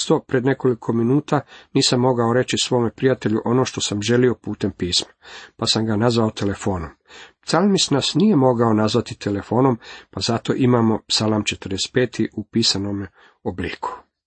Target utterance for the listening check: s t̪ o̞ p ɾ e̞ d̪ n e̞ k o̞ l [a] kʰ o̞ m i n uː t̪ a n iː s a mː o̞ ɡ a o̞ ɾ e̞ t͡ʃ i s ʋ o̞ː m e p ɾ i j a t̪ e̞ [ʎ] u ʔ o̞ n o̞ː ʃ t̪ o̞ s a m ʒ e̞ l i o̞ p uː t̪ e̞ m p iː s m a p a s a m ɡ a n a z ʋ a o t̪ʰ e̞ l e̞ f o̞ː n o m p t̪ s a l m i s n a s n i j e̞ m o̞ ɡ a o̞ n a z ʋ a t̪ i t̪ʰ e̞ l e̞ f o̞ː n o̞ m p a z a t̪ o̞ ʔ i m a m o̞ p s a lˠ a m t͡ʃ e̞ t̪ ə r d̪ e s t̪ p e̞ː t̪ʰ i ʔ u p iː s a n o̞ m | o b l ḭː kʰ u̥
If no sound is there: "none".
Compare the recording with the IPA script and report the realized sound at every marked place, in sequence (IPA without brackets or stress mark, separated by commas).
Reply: i, ʎ